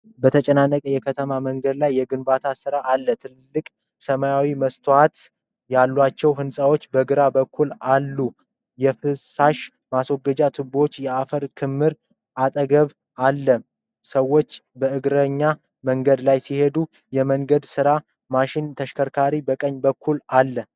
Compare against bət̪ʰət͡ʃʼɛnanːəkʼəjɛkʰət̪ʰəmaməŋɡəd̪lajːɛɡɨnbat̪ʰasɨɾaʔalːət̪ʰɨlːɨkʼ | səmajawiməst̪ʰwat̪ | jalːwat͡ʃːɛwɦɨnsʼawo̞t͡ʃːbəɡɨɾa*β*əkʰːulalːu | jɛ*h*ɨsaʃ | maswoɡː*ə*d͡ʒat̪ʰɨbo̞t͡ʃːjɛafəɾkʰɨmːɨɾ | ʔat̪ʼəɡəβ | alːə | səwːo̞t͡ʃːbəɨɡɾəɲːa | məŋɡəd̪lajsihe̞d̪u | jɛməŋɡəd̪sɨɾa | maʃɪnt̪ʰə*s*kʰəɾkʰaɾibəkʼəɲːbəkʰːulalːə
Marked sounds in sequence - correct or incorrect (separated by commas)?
incorrect, incorrect, correct, incorrect